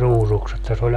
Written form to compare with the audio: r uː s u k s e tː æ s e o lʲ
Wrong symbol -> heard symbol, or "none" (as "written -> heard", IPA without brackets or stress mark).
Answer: none